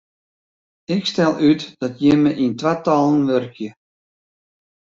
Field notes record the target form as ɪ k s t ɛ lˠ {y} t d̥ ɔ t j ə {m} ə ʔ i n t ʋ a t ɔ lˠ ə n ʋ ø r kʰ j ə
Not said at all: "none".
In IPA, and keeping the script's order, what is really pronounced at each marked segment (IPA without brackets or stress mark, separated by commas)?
y, m